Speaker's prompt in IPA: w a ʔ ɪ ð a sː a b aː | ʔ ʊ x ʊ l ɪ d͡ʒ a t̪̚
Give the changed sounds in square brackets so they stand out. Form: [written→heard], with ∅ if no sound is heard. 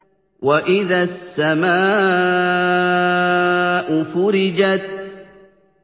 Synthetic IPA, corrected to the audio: w a ʔ ɪ ð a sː a [b→m] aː | ʔ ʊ [x→f] ʊ [l→ɾ] ɪ d͡ʒ a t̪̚